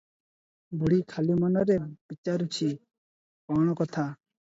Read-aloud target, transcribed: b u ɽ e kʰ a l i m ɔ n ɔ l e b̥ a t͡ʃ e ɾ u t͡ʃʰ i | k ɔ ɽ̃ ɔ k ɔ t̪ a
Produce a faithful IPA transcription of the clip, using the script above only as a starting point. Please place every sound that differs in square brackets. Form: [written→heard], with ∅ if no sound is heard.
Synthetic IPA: b u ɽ [e→i] kʰ a l i m ɔ n ɔ [l→ɾ] e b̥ [a→i] t͡ʃ [e→a] ɾ u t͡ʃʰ i | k ɔ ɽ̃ ɔ k ɔ [t̪→t̪ʰ] a